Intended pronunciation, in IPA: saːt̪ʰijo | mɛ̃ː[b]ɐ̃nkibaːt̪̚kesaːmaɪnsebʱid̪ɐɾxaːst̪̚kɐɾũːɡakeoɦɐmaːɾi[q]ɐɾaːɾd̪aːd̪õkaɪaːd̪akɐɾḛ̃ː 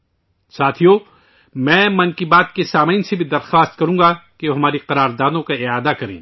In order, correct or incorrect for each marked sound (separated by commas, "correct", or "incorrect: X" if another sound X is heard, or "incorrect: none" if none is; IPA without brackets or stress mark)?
incorrect: m, correct